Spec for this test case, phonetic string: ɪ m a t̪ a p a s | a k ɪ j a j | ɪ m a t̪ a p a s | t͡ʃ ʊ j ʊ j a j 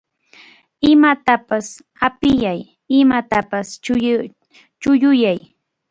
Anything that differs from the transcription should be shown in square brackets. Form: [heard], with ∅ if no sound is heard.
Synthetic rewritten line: ɪ m a t̪ a p a s | a [p] ɪ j a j | ɪ m a t̪ a p a s | t͡ʃ ʊ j ʊ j a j